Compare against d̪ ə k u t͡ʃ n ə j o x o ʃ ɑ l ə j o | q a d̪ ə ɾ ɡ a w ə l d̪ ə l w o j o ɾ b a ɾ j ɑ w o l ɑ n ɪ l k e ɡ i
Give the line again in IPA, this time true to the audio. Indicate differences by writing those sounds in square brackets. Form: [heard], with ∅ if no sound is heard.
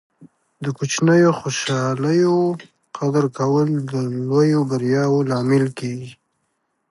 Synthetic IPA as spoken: d̪ ə k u t͡ʃ n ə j o x o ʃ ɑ l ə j o | q a d̪ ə ɾ [k] a w ə l d̪ ə l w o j o [∅] b a ɾ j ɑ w o l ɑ [m] ɪ l k e ɡ i